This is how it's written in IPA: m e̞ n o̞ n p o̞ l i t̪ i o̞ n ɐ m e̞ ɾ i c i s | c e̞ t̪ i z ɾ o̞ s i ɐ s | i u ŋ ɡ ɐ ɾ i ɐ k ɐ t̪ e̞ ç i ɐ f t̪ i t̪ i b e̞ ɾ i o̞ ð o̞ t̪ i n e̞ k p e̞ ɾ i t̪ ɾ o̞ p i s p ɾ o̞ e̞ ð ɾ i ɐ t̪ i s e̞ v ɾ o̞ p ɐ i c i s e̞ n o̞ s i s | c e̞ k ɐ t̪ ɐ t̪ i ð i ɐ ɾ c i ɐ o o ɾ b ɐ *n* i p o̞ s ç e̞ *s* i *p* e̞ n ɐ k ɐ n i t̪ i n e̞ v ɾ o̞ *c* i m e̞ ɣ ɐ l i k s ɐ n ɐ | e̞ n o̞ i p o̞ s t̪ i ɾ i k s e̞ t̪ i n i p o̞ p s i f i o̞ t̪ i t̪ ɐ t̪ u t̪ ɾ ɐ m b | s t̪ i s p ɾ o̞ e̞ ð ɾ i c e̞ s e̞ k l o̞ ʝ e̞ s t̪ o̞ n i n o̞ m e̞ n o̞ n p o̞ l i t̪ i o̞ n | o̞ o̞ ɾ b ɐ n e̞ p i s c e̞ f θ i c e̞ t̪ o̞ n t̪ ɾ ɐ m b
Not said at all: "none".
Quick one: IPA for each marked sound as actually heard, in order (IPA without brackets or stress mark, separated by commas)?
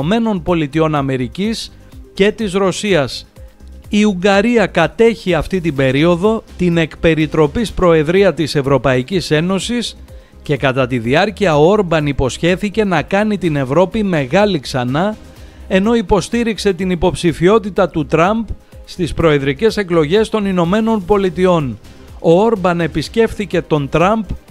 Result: n, θ, c, p